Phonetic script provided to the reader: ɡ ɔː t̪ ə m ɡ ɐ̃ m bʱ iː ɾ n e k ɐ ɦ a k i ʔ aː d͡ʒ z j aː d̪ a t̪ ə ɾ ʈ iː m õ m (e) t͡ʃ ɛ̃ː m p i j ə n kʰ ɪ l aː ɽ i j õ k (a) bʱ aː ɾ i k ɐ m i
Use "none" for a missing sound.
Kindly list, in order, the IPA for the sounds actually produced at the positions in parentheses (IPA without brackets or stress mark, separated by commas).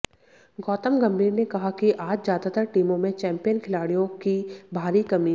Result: ẽ, i